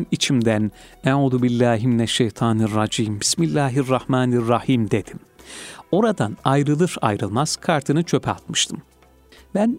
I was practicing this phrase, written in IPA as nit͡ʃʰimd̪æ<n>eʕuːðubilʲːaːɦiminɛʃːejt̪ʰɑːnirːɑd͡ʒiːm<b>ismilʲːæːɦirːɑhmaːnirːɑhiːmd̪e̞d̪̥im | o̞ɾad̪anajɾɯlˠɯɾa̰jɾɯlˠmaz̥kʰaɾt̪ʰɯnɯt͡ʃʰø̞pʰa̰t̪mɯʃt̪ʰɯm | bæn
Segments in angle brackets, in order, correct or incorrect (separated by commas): correct, correct